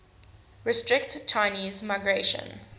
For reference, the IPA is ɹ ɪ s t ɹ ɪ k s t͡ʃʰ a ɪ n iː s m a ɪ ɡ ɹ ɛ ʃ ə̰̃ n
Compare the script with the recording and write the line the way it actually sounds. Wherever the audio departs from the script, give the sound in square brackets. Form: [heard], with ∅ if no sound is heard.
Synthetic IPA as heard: ɹ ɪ s t ɹ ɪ k [t] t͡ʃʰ a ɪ n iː [z] m a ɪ ɡ ɹ [e] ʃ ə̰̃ n

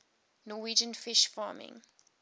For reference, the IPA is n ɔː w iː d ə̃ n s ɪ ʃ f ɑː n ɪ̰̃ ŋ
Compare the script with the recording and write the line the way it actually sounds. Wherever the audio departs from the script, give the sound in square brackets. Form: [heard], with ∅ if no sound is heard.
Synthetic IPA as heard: n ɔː w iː [d͡ʒ] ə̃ n [f] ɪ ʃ f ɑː [m] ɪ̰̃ ŋ

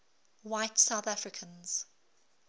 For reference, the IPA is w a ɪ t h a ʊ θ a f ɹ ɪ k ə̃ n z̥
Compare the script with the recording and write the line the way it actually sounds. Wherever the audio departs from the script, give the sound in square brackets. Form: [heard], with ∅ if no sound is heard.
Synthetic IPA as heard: w a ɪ t [s] a ʊ θ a f ɹ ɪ [kʰ] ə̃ n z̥

